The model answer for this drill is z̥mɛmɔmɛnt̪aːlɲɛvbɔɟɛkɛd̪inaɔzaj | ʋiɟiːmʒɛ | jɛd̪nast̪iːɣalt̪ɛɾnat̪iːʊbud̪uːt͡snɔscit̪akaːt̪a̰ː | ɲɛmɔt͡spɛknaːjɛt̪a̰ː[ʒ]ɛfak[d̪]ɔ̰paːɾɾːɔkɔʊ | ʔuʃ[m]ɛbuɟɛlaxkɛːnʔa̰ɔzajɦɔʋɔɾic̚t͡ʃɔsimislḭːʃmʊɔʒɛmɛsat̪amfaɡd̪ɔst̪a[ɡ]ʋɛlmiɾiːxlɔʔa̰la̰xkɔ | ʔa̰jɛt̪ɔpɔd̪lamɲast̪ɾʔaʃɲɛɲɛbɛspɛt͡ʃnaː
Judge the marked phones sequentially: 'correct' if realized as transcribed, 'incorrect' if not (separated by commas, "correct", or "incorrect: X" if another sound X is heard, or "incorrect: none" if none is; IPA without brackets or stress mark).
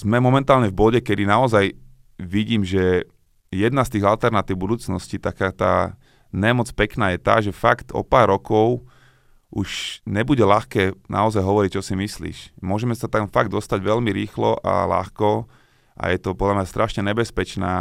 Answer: correct, incorrect: t̪, incorrect: ɲ, incorrect: ɟ